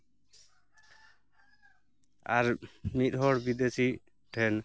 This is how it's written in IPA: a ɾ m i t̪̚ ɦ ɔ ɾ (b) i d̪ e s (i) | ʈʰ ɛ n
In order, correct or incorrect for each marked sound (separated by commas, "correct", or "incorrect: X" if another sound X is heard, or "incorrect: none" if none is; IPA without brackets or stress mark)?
correct, correct